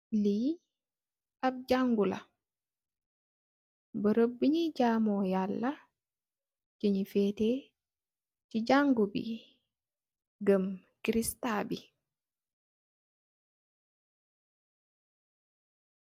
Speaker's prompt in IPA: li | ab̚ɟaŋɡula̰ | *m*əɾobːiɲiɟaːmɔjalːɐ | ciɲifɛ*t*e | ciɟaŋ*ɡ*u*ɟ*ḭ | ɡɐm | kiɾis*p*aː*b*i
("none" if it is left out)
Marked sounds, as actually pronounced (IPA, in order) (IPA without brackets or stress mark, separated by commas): b, t, ɡ, b, t, b